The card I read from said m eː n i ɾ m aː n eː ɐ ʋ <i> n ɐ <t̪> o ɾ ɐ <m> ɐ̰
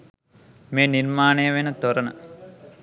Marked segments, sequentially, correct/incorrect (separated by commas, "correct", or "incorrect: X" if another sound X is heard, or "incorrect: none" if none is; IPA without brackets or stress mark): incorrect: e, correct, incorrect: n